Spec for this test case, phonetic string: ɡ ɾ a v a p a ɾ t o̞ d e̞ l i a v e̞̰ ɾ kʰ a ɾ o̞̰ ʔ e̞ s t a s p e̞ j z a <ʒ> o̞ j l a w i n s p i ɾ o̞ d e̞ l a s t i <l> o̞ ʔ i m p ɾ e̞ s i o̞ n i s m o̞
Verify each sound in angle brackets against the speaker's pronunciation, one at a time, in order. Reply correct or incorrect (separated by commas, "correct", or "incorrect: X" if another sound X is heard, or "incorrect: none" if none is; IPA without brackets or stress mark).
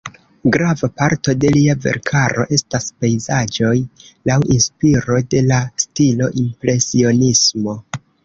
incorrect: d͡ʒ, correct